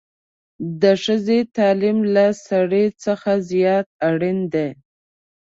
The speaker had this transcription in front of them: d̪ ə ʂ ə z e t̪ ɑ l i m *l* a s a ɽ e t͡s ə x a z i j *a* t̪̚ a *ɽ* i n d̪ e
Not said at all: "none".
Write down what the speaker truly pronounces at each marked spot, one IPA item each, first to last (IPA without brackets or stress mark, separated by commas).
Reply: l, ɑ, ɽ